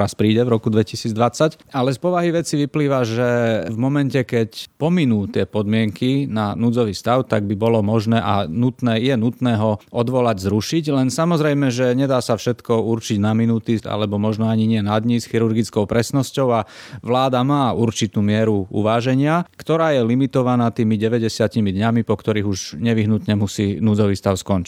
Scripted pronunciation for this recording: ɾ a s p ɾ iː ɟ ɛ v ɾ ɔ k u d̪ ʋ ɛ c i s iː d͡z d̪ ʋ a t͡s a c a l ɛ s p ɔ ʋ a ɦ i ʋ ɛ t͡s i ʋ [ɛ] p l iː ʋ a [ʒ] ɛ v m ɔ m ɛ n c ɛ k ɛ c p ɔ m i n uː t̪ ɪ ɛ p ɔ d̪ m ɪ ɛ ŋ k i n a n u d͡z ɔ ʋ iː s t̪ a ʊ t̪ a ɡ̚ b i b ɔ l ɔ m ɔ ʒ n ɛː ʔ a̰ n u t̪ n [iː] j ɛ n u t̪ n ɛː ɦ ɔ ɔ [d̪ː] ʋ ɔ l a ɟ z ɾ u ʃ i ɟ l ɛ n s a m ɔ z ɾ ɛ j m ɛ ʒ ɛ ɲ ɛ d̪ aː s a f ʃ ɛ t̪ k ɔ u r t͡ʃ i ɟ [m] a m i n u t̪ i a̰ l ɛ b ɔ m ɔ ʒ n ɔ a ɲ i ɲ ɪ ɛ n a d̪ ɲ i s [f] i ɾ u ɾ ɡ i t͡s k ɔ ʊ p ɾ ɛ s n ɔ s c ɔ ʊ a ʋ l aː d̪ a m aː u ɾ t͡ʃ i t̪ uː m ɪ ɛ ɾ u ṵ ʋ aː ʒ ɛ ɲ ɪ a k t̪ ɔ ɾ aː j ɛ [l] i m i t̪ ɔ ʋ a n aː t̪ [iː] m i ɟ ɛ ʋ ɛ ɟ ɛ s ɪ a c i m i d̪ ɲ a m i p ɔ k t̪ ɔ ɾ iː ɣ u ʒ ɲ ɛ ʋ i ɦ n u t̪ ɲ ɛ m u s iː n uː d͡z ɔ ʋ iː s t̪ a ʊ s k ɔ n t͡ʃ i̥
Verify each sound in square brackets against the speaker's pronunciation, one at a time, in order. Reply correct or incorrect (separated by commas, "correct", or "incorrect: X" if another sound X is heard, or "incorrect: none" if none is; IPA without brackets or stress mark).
incorrect: i, correct, incorrect: ɛː, incorrect: d̪, incorrect: n, incorrect: x, correct, correct